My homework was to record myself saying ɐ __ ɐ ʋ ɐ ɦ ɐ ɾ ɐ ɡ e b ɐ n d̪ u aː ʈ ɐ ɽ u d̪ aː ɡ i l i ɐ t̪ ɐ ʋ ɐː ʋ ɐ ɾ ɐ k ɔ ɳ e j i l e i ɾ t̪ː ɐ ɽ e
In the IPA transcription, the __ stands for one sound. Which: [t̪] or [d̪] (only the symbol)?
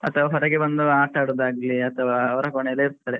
t̪